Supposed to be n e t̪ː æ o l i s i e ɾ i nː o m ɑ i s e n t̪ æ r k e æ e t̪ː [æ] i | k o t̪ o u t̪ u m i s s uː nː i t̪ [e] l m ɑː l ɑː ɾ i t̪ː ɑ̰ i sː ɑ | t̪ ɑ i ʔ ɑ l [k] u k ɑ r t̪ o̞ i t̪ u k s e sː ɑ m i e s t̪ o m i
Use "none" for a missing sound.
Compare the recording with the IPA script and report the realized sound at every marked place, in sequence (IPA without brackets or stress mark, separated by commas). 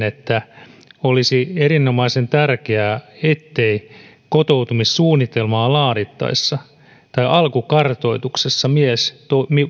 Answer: e, e, k